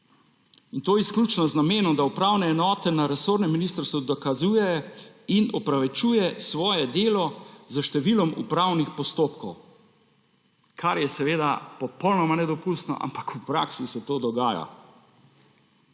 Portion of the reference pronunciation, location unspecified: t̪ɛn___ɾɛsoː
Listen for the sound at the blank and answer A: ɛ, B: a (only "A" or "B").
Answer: B